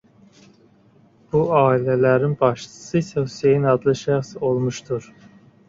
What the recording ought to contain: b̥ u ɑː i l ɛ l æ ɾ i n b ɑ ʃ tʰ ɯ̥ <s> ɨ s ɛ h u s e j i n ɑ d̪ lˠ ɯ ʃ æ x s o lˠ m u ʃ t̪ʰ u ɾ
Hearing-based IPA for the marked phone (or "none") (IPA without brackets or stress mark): s